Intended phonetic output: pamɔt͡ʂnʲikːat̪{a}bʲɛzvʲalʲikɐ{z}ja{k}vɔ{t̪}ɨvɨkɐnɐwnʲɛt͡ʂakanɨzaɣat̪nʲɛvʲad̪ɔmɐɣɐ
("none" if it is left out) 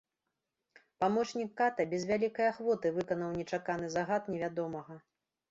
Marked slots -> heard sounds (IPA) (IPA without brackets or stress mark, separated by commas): ɐ, none, x, t̪